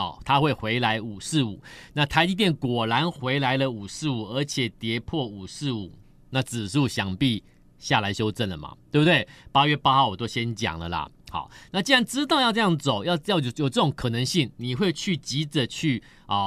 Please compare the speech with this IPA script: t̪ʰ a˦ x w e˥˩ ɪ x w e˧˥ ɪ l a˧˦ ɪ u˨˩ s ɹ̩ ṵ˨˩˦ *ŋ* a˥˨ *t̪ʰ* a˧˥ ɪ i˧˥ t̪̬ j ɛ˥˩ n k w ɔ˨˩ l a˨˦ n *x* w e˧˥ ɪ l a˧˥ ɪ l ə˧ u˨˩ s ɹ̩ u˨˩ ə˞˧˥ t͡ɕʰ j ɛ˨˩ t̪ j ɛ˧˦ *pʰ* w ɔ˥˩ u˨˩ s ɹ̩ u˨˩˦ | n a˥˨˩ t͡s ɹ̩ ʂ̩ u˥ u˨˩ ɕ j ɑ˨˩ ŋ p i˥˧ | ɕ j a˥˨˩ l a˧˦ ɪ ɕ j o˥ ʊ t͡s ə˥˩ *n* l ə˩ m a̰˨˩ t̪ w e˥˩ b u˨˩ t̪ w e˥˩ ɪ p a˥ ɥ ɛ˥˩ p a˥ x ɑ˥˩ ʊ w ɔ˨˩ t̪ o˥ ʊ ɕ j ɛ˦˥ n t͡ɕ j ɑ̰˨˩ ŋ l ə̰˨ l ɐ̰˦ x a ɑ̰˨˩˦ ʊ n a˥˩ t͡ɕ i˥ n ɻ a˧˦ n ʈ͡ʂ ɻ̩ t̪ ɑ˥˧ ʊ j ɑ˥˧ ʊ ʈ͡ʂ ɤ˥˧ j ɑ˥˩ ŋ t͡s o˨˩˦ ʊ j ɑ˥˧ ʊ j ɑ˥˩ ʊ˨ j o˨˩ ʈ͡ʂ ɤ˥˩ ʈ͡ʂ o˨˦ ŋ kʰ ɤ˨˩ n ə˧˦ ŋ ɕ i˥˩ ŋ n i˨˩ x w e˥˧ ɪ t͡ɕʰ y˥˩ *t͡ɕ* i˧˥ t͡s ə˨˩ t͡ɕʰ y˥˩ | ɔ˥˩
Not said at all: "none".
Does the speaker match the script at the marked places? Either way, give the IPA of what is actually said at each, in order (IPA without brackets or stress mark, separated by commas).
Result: n, t̪ʰ, x, pʰ, n, t͡ɕ